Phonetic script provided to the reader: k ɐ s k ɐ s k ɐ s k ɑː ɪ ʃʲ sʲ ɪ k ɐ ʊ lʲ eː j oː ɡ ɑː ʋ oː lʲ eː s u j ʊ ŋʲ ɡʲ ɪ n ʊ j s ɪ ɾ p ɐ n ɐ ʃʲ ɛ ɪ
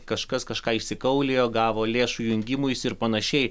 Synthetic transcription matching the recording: k ɐ ʃ k ɐ s k ɐ ʃ k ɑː ɪ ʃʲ sʲ ɪ k ɐ ʊ lʲ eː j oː ɡ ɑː ʋ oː lʲ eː ʃ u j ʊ ŋʲ ɡʲ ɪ m ʊ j s ɪ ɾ p ɐ n ɐ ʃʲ ɛ ɪ